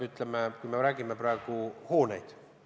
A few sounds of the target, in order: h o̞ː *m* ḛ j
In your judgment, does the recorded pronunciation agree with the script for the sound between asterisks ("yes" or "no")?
no